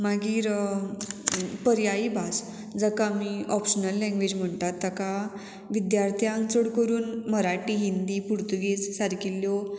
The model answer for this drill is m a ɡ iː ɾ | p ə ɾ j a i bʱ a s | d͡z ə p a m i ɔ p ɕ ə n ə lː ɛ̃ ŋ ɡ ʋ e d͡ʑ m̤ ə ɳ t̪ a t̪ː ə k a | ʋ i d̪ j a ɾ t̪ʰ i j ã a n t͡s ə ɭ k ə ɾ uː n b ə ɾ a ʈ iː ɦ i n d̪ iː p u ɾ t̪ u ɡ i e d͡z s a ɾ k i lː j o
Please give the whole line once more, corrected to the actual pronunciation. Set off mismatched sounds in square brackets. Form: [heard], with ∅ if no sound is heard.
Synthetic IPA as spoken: m a ɡ iː ɾ | p ə ɾ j a i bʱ a s | d͡z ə [k] a m i ɔ p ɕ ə n ə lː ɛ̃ ŋ ɡ ʋ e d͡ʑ m̤ ə ɳ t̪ a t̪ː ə k a | ʋ i d̪ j a ɾ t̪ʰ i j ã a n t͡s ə [ɽ] k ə ɾ uː n [m] ə ɾ a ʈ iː ɦ i n d̪ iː p u ɾ t̪ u ɡ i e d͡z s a ɾ k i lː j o